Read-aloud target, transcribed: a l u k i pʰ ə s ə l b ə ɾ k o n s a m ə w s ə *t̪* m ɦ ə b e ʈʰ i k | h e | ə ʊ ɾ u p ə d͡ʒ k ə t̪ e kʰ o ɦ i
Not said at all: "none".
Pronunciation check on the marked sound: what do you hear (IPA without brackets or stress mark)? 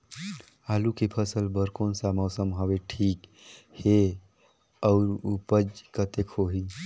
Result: none